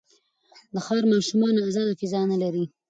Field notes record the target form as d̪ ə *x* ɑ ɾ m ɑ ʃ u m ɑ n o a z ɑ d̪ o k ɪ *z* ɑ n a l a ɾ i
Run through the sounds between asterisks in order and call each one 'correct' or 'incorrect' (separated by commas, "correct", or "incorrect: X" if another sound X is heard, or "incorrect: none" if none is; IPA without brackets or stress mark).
correct, correct